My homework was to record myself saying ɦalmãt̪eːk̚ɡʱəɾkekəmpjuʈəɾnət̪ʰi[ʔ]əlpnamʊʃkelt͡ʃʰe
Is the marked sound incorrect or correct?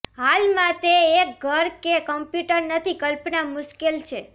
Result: incorrect